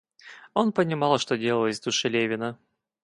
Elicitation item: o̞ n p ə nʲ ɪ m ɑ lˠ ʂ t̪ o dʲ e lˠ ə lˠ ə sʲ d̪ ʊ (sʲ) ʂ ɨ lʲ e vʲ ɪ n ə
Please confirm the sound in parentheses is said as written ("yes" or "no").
no